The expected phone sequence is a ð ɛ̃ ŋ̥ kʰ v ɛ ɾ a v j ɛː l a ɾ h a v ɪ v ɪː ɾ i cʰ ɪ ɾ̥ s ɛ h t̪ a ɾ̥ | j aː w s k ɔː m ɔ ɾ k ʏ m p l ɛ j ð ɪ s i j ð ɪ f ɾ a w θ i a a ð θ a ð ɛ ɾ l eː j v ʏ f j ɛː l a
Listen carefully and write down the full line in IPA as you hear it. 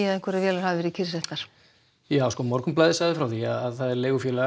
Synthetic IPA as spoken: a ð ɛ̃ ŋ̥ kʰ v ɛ ɾ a v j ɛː l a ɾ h a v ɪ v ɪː ɾ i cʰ ɪ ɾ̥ s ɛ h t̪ a ɾ̥ | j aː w s k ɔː m ɔ ɾ k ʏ m p l a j ð ɪ s a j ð ɪ f ɾ a w θ i a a ð θ a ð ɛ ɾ l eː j ɣ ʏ f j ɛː l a